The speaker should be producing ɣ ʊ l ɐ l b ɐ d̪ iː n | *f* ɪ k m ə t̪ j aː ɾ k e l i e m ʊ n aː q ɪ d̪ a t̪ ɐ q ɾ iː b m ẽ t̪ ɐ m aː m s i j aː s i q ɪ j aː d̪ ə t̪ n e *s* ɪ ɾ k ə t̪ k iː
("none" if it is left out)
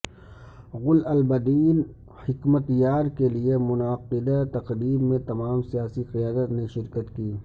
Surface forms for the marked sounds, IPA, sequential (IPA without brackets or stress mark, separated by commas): h, ʃ